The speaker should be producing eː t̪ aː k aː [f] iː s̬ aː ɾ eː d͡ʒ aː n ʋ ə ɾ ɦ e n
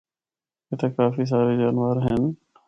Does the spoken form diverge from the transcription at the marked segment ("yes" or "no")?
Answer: no